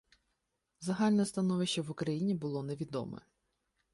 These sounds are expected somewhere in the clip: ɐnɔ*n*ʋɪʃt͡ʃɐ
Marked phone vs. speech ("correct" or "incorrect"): incorrect